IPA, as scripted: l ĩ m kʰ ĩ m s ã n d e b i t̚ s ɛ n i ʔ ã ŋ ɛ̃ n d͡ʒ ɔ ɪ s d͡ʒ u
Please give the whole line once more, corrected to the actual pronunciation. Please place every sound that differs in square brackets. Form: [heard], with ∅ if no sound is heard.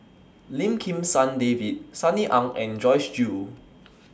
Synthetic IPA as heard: l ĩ m kʰ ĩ m s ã n d e [v] i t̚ s [a] n i ʔ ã ŋ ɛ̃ n d͡ʒ ɔ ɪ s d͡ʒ u